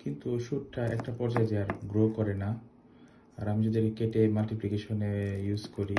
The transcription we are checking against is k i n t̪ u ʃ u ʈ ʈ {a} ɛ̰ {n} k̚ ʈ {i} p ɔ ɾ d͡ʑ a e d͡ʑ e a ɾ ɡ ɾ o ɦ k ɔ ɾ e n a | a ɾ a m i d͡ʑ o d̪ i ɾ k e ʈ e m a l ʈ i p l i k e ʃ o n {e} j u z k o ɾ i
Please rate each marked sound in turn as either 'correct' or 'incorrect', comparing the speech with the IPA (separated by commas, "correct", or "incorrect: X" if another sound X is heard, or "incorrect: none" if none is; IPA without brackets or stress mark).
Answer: correct, incorrect: none, incorrect: a, correct